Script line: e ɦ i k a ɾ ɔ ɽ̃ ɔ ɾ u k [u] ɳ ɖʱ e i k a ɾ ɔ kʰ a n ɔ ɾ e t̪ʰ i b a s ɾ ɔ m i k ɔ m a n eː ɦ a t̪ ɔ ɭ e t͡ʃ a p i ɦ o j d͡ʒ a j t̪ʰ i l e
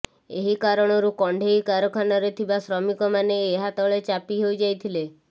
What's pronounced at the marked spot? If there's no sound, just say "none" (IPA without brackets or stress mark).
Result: ɔ